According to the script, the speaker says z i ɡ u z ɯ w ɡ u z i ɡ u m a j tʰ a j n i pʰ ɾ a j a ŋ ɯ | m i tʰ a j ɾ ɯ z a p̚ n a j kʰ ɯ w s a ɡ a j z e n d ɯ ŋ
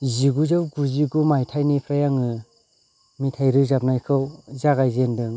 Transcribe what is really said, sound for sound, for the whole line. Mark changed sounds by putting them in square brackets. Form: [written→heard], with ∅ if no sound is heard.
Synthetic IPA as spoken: z i ɡ u z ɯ w ɡ u z i ɡ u m a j tʰ a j n i pʰ ɾ a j a ŋ ɯ | m i tʰ a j ɾ ɯ z a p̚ n a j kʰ ɯ w [s→z] a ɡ a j z e n d ɯ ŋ